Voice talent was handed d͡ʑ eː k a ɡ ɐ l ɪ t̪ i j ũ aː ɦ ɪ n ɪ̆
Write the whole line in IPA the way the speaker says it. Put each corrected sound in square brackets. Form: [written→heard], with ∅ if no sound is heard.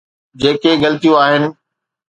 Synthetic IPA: d͡ʑ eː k [a→e] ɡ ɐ l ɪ t̪ i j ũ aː ɦ ɪ n ɪ̆